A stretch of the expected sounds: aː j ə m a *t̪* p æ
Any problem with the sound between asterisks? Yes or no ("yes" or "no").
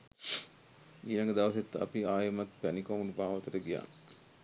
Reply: no